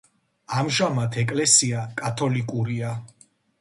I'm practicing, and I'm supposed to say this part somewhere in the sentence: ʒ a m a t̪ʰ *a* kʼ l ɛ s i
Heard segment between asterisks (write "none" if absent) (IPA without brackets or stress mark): ɛ